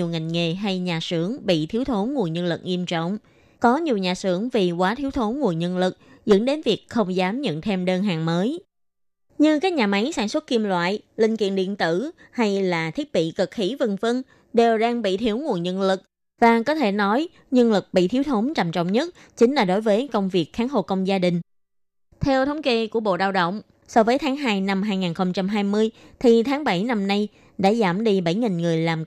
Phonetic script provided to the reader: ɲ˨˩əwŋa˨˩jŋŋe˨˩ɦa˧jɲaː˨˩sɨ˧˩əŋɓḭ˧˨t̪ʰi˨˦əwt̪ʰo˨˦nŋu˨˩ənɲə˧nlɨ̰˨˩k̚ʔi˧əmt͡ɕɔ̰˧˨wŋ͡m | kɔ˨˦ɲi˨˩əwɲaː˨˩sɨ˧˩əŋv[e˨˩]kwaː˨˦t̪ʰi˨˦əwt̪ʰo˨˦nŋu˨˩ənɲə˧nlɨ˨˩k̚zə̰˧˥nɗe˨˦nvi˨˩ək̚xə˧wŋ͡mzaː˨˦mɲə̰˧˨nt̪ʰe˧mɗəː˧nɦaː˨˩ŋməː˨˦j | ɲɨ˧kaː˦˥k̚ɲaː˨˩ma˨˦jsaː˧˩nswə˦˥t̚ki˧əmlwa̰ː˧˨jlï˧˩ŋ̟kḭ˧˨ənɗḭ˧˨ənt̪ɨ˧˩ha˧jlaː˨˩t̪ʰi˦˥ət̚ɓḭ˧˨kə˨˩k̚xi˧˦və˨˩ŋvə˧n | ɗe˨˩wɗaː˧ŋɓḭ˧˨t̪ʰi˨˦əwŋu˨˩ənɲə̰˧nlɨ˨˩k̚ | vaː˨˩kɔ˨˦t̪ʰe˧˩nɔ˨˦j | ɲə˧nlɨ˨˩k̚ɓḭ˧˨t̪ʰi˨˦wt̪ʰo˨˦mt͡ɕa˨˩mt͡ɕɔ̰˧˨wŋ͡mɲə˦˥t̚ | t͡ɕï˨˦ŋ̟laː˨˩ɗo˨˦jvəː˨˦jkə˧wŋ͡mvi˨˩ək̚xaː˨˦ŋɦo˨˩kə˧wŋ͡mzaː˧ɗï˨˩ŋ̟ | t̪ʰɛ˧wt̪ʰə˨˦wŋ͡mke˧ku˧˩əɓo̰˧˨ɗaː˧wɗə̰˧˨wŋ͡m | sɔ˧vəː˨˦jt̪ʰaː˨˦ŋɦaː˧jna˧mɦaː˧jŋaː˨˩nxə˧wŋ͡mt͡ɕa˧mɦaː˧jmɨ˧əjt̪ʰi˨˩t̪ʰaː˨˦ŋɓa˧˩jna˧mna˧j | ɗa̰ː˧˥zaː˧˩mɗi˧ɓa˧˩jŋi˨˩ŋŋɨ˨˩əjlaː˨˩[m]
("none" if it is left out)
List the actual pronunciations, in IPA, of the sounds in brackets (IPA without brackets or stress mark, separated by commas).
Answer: i˨˩, m